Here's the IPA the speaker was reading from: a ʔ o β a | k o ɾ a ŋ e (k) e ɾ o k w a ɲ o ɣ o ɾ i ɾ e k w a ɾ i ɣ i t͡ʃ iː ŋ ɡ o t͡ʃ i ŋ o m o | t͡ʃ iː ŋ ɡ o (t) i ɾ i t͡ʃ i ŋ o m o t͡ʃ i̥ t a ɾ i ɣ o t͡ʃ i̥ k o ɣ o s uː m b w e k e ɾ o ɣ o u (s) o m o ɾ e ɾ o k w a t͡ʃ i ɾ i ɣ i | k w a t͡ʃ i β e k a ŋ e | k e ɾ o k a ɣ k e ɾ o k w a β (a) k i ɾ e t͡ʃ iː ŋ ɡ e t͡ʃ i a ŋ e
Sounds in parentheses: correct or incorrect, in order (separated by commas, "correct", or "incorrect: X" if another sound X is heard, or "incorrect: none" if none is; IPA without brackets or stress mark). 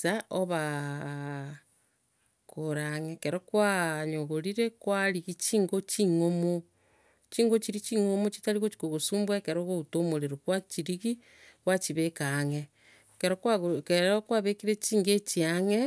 correct, incorrect: t͡ʃ, incorrect: t, incorrect: e